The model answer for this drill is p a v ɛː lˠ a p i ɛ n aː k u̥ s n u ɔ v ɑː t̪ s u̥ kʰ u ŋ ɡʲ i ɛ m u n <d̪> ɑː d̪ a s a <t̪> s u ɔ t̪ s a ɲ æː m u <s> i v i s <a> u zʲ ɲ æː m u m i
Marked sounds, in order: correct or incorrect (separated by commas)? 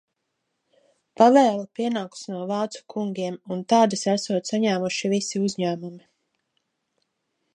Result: incorrect, incorrect, incorrect, incorrect